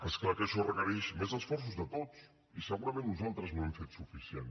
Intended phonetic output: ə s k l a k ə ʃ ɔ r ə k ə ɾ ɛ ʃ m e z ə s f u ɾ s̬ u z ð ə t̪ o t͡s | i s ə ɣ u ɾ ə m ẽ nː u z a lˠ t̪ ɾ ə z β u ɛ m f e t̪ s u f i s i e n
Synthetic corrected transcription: ə s k l a k ə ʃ ɔ r ə k ə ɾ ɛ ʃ m e z ə s f ɔ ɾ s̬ u z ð ə t̪ o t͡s | i s ə ɣ u ɾ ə m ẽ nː u z a lˠ t̪ ɾ ə z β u ɛ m f e t̪ s u f i s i e n